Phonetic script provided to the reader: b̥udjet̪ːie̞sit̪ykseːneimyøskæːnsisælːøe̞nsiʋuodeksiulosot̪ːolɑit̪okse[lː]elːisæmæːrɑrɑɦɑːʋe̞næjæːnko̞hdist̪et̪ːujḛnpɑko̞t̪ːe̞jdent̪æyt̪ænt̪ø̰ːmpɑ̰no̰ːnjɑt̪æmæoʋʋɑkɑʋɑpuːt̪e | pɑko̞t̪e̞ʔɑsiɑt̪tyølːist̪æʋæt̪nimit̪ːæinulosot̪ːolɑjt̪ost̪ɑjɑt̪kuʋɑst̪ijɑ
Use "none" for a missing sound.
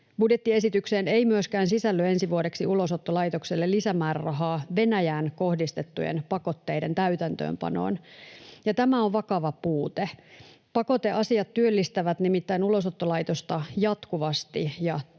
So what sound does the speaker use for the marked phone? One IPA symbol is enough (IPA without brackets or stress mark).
lː